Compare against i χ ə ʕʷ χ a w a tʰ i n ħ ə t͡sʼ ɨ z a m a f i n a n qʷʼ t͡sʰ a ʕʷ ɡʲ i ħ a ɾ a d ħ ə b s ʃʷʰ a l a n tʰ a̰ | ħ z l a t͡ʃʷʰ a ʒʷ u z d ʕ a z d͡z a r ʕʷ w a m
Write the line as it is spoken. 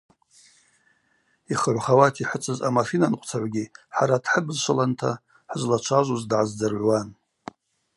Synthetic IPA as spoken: i χ ə ʕʷ χ a w a tʰ i ħ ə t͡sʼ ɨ z a m a f i n a n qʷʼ t͡sʰ a ʕʷ ɡʲ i ħ a ɾ a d ħ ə b z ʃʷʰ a l a n tʰ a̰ | ħ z l a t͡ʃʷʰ a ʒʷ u z d ʕ a z d͡z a r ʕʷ w a n